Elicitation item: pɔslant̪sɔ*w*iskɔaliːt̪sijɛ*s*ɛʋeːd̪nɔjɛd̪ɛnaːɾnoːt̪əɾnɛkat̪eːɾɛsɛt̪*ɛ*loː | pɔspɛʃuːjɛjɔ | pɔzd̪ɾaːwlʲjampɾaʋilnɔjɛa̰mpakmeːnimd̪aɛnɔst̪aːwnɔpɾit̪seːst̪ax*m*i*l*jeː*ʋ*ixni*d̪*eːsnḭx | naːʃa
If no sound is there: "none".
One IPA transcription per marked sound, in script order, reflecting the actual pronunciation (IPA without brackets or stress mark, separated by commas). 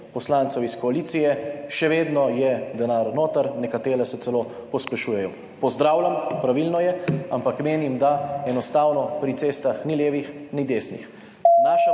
w, ʃ, ɛ, n, l, ʋ, d̪